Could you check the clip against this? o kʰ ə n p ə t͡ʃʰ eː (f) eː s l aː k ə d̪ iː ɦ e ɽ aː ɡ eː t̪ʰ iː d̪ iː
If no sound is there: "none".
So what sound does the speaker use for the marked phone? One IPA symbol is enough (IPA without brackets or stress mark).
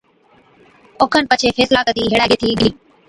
f